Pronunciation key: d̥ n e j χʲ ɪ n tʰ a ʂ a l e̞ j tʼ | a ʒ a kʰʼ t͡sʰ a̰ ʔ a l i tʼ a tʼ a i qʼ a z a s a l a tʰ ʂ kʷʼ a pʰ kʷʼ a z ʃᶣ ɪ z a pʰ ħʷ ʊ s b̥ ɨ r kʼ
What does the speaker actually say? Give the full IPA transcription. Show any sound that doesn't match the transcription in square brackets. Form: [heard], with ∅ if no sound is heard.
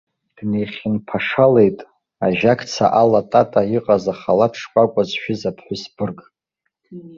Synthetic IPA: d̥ n e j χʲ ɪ n [pʰ] a ʂ a l e̞ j tʼ | a ʒ a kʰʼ t͡sʰ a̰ ʔ a l [a] tʼ a tʼ a i qʼ a z a [χ] a l a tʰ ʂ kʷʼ a [∅] kʷʼ a z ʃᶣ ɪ z a pʰ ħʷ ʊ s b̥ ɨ r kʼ